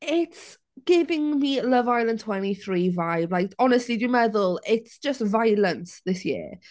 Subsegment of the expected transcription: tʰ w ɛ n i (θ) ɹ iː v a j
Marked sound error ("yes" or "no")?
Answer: no